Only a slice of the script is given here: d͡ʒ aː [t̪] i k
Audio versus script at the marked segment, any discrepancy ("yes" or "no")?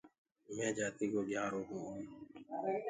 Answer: no